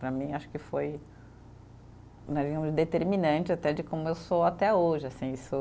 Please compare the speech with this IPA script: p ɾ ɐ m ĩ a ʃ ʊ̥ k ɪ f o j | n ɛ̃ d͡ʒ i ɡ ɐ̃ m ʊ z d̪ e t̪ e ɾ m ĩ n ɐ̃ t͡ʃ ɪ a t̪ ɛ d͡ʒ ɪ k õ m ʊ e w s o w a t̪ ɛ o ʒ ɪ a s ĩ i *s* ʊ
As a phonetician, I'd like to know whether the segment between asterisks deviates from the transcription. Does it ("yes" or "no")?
no